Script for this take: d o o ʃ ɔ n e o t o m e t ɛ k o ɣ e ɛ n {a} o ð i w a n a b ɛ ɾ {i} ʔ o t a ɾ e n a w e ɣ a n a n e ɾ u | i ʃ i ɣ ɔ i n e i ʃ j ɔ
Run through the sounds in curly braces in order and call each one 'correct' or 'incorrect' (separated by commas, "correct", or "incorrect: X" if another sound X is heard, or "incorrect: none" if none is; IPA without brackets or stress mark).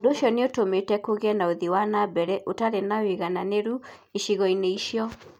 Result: correct, incorrect: ɛ